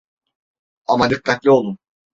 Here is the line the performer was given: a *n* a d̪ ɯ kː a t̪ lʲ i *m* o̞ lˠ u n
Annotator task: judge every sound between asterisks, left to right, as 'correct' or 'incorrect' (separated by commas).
incorrect, incorrect